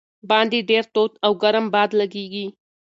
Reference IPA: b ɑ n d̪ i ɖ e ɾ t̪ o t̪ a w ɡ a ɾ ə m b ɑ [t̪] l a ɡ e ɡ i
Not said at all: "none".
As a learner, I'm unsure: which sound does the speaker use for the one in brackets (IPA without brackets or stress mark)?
d̪